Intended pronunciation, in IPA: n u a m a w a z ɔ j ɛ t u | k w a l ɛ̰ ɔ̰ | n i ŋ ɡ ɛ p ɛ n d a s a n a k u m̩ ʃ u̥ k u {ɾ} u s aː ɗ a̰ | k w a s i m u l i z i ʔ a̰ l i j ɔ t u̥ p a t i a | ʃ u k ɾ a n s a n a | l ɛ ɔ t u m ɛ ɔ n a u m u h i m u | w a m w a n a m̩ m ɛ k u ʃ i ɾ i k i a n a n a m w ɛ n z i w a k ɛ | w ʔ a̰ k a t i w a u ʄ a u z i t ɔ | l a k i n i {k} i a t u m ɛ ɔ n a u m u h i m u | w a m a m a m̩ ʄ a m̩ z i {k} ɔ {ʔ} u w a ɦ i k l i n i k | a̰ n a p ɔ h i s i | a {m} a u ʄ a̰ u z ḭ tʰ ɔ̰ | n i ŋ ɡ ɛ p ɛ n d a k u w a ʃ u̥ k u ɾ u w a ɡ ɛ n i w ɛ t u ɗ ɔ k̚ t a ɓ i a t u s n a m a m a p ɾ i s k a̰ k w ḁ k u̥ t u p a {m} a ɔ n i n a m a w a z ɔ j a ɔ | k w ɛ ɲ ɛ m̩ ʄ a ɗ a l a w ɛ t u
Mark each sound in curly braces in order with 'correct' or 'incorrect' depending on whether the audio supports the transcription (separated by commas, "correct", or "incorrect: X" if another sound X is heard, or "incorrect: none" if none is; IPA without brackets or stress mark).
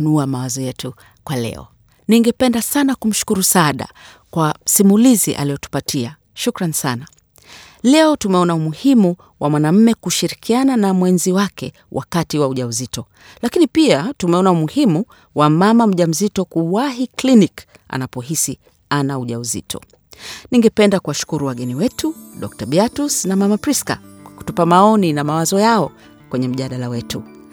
correct, incorrect: p, incorrect: t, incorrect: k, incorrect: n, correct